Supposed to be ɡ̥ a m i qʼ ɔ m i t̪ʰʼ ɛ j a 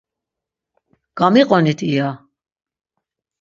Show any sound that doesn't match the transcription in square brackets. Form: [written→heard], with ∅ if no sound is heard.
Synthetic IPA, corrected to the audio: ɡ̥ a m i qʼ ɔ [m→n] i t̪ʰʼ [ɛ→i] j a